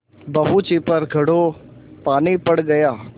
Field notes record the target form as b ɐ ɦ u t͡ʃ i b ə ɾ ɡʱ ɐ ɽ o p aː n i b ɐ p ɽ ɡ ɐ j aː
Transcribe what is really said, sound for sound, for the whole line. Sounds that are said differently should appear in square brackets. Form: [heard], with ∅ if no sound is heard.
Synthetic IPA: b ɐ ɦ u t͡ʃ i [p] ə ɾ ɡʱ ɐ ɽ o p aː n i [p] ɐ [∅] ɽ ɡ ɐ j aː